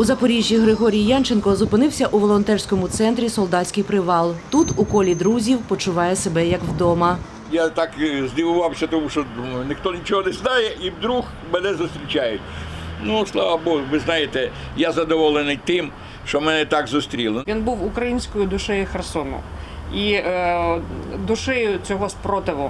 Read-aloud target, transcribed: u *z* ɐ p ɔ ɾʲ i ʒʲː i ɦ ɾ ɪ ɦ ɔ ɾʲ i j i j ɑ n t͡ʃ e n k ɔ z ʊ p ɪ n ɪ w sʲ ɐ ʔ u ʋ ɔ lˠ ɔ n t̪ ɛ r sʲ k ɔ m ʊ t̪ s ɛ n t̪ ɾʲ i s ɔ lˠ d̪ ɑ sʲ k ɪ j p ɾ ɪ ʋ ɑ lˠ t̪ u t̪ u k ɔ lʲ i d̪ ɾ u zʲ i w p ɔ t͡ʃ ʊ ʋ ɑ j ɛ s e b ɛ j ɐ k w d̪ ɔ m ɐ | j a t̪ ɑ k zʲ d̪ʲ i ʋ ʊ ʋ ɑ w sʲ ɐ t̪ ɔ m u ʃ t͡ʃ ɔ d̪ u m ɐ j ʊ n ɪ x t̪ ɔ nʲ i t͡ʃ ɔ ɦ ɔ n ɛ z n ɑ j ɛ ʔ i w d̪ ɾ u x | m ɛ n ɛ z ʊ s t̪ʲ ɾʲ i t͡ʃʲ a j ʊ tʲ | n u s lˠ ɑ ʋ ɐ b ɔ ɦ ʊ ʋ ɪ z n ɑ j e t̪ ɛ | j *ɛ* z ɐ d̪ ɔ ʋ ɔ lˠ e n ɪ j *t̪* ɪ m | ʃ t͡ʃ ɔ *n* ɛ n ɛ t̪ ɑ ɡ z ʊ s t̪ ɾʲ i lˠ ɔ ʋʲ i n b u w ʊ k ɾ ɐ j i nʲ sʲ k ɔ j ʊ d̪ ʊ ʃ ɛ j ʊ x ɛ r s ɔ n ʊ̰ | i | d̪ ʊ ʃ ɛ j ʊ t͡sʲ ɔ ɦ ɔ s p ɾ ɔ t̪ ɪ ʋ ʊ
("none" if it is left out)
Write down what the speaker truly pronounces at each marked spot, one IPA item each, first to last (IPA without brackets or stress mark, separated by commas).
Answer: z, a, t̪, m